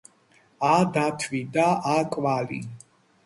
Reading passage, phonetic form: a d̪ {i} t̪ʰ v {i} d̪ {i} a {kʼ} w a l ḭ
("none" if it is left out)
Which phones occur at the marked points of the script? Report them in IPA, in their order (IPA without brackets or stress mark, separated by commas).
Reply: a, i, a, kʼ